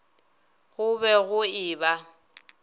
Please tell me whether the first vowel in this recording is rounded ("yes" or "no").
yes